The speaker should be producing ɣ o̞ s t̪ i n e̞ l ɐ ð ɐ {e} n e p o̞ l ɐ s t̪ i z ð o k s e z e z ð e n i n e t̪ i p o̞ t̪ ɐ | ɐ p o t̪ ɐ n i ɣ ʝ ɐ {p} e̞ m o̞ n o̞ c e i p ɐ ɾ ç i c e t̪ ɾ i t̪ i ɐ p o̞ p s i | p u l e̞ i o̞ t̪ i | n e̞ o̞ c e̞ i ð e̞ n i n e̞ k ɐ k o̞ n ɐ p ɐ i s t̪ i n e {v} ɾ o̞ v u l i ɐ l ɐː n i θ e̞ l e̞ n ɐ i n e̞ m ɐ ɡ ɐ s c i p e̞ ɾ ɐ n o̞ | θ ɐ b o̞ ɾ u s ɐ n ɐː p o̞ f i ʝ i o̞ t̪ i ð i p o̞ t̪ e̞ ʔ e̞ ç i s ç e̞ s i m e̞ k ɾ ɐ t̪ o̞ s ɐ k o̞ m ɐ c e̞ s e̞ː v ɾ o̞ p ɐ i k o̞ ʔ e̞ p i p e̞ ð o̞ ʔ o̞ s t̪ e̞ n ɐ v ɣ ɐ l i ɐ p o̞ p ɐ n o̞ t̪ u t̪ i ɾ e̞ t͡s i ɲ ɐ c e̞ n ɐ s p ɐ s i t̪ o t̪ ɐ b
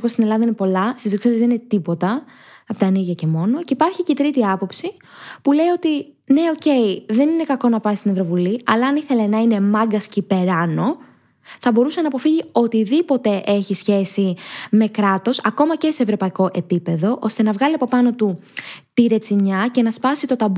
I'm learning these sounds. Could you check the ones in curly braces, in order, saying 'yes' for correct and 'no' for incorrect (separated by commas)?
no, no, yes